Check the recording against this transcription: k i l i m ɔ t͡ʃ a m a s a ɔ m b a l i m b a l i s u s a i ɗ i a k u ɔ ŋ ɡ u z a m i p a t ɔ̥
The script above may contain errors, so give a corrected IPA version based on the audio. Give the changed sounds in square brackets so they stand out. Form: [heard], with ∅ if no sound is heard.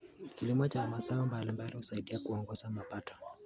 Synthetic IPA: k i l i m ɔ t͡ʃ a m a s a ɔ m b a l i m b a l i [h] u s a i ɗ i a k u ɔ ŋ ɡ [ɔ] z a m [a] p a t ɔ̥